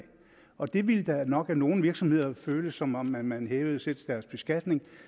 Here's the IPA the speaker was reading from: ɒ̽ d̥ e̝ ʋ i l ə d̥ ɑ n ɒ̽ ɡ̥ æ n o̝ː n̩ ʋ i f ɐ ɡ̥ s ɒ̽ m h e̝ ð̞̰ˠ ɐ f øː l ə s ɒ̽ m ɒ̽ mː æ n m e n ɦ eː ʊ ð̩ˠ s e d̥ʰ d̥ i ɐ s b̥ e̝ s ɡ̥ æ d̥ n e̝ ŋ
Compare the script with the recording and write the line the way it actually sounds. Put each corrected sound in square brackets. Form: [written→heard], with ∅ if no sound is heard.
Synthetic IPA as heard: ɒ̽ d̥ e̝ ʋ i l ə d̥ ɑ n ɒ̽ ɡ̥ æ n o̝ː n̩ ʋ i [f→∅] ɐ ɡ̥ s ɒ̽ m h e̝ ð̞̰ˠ ɐ f øː l ə s ɒ̽ m ɒ̽ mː æ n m [e→æ] n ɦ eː ʊ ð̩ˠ s e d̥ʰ d̥ [i→æ] ɐ s b̥ e̝ s ɡ̥ æ d̥ n e̝ ŋ